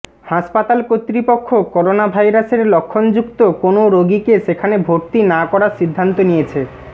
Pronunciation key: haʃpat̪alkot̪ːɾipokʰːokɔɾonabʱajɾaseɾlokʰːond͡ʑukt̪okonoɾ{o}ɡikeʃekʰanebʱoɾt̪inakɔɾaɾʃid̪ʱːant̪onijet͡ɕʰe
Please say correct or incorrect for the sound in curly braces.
correct